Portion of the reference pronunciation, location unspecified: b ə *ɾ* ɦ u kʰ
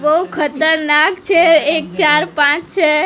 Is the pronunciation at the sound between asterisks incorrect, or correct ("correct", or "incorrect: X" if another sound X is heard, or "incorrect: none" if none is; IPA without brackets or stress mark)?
incorrect: none